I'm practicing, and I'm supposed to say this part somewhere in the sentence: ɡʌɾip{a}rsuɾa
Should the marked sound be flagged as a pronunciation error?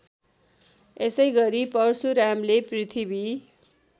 yes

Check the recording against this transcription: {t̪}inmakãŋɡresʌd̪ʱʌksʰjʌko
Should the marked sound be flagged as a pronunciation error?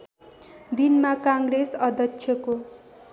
yes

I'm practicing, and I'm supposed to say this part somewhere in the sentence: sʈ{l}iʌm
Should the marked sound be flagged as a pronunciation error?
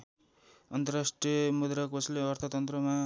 yes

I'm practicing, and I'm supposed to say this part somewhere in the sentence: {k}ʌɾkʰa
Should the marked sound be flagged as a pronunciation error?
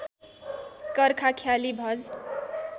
no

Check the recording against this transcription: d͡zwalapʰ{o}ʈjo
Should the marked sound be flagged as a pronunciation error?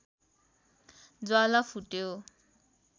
yes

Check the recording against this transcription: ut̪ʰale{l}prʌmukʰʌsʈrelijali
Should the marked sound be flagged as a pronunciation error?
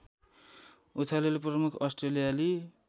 no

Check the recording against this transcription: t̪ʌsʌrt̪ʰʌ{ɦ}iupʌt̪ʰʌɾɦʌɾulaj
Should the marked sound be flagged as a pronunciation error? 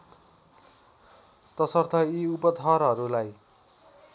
yes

